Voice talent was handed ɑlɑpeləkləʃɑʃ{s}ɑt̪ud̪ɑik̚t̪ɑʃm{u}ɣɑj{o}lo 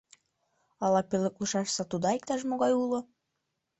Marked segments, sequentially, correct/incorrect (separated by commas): correct, incorrect, incorrect